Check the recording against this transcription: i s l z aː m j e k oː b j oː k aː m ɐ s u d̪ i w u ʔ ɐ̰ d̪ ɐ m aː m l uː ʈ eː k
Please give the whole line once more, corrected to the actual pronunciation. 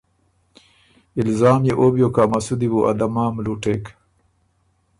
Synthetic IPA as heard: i l z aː m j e ʔ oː b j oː k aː m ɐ s u d̪ i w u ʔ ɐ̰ d̪ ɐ m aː m l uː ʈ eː k